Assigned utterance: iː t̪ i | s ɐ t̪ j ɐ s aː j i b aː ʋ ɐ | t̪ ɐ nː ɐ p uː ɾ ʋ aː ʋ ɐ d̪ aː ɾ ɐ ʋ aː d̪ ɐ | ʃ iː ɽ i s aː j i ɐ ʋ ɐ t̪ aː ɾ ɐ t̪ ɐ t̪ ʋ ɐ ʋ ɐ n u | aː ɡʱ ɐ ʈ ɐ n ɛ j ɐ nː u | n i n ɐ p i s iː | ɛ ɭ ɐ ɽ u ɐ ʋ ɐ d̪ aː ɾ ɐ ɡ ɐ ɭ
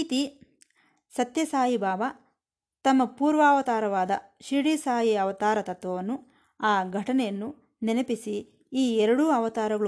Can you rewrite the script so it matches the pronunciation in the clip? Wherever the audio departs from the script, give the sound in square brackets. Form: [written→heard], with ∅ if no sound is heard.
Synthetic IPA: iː t̪ i | s ɐ t̪ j ɐ s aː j i b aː ʋ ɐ | t̪ ɐ [nː→mː] ɐ p uː ɾ ʋ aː ʋ ɐ [d̪→t̪] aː ɾ ɐ ʋ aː d̪ ɐ | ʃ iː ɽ i s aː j i ɐ ʋ ɐ t̪ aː ɾ ɐ t̪ ɐ t̪ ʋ ɐ ʋ ɐ [n→nː] u | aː ɡʱ ɐ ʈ ɐ n ɛ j ɐ nː u | n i n ɐ p i s iː | ɛ [ɭ→ɾ] ɐ ɽ u ɐ ʋ ɐ [d̪→t̪] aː ɾ ɐ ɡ ɐ ɭ